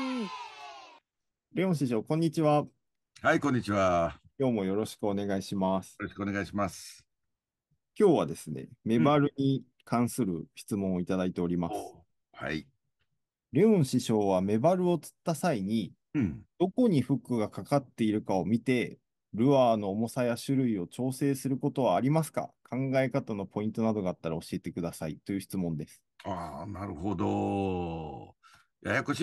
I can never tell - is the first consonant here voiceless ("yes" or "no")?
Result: no